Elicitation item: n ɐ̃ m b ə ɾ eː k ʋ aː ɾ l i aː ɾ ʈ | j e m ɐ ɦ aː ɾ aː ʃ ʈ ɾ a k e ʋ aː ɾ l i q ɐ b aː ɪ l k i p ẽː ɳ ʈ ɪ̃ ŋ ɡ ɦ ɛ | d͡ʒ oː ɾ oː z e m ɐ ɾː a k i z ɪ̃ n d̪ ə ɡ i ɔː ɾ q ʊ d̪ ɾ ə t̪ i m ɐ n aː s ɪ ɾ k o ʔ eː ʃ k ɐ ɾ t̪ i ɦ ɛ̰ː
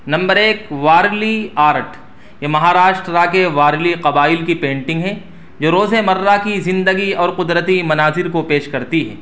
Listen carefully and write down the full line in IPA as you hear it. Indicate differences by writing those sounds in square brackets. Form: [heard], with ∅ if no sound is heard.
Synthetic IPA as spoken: n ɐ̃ m b ə ɾ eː k ʋ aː ɾ l i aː ɾ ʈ | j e m ɐ ɦ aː ɾ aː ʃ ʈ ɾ a k e ʋ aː ɾ l i q ɐ b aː ɪ l k i p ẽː ɳ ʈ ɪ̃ ŋ ɡ ɦ ɛ | d͡ʒ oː ɾ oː z e m ɐ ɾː a k i z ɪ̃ n d̪ ə ɡ i ɔː ɾ q ʊ d̪ ɾ ə t̪ i m ɐ n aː [z] ɪ ɾ k o [p] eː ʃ k ɐ ɾ t̪ i ɦ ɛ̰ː